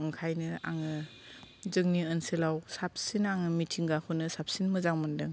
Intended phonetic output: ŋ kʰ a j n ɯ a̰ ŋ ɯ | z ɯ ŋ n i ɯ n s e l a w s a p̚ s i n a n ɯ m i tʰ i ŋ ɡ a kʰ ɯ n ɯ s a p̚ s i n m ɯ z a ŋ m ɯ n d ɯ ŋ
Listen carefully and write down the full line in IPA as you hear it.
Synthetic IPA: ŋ kʰ a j n ɯ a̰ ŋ ɯ | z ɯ ŋ n i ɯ n s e l a w s a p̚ s i n a ŋ ɯ m i tʰ i ŋ ɡ a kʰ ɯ n ɯ s a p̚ s i n m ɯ z a ŋ m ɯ n d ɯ ŋ